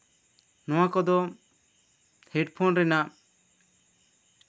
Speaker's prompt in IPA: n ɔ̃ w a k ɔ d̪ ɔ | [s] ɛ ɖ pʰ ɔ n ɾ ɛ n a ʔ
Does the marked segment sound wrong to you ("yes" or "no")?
yes